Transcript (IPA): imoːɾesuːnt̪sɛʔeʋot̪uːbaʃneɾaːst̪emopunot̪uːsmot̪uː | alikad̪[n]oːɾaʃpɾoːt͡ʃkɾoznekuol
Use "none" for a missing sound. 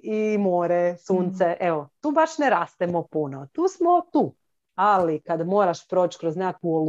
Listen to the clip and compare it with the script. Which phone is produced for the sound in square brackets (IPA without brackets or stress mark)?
m